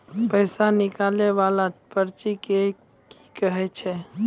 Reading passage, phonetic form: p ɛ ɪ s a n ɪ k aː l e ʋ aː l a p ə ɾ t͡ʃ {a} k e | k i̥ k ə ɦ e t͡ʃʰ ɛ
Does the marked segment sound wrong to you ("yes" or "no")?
yes